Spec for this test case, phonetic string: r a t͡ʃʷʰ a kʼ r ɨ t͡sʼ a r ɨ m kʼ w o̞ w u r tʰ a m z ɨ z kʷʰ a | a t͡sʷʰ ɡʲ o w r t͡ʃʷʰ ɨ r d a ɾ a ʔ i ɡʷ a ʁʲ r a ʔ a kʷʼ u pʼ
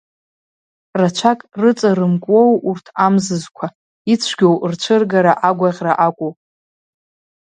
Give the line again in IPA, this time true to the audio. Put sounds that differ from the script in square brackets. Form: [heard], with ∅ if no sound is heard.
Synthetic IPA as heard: r a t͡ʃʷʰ a kʼ r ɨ t͡sʼ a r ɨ m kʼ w o̞ w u r tʰ a m z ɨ z kʷʰ a | [i] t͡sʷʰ ɡʲ o w r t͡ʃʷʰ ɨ r [ɡ] a ɾ a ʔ [a] ɡʷ a ʁʲ r a ʔ a kʷʼ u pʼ